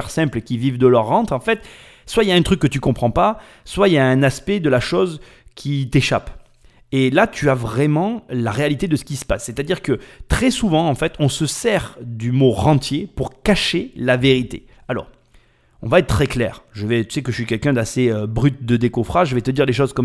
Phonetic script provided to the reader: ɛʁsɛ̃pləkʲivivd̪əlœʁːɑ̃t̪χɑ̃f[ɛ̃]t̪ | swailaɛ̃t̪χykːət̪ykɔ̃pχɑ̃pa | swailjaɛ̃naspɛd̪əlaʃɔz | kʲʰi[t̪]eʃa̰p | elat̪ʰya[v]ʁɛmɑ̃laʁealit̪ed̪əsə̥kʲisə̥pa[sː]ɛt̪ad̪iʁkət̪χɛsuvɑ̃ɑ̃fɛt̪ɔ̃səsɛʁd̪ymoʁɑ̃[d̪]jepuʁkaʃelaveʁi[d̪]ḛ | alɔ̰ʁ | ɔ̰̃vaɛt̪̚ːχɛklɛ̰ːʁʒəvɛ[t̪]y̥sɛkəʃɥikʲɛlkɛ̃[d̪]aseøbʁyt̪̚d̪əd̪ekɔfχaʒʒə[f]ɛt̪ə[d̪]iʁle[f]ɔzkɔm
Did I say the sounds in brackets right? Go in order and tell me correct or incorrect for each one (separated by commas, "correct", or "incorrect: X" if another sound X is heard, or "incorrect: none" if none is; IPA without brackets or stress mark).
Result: incorrect: ɛ, correct, correct, correct, incorrect: t̪, incorrect: t̪, correct, correct, incorrect: v, correct, incorrect: ʃ